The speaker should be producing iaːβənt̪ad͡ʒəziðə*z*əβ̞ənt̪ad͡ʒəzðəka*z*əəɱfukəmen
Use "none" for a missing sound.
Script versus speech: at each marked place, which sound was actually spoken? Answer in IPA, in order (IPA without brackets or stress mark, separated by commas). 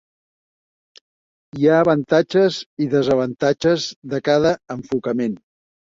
z, ð